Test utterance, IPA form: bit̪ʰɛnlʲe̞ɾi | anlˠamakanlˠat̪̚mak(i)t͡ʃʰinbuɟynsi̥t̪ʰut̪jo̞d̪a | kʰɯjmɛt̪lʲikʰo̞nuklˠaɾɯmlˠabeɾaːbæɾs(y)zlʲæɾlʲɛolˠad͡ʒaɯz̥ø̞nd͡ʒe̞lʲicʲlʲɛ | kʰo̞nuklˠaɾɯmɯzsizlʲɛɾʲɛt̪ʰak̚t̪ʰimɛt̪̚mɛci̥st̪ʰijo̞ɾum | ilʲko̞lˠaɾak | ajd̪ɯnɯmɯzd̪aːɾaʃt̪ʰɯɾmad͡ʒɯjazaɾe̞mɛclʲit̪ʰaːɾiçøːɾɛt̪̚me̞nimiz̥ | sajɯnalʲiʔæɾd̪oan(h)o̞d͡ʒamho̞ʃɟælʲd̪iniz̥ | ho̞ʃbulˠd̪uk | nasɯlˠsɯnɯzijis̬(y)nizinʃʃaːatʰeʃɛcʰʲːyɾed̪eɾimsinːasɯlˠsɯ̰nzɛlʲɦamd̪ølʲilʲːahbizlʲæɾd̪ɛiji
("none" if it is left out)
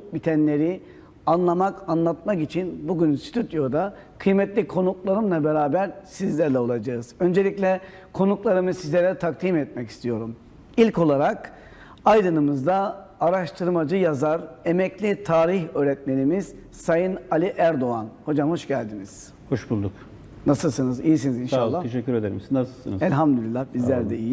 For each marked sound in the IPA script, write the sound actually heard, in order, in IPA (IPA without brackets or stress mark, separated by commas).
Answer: i, i, h, i